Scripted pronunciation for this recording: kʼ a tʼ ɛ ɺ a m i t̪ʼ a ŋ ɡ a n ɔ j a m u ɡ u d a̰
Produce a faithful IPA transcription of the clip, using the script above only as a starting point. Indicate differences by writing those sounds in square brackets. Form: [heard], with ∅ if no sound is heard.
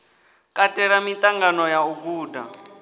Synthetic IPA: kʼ a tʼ ɛ ɺ a m i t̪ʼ a ŋ ɡ a n ɔ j a [∅] u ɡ [uː] d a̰